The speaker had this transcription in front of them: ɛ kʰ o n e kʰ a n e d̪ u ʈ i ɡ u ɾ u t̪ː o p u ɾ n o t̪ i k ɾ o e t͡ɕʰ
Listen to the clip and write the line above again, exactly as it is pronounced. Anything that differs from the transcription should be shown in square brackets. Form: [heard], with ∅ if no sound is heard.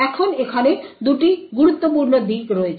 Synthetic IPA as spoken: ɛ kʰ o n e kʰ a n e d̪ u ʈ i ɡ u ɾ u t̪ː o p u ɾ n o [d̪] i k ɾ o e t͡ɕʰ